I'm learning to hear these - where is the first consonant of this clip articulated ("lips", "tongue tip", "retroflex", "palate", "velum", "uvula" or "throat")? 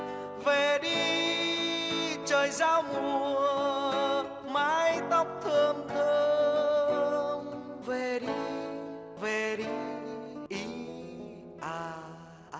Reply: lips